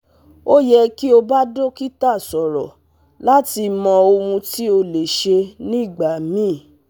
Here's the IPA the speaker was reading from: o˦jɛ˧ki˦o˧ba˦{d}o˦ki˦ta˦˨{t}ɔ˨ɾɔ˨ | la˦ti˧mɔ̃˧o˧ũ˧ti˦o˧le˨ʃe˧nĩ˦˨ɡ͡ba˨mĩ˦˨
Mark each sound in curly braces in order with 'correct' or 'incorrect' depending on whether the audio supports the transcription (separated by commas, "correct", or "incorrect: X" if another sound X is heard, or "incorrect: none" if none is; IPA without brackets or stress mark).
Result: correct, incorrect: s